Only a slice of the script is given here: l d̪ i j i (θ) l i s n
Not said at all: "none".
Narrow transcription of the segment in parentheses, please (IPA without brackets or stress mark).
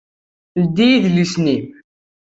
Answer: ð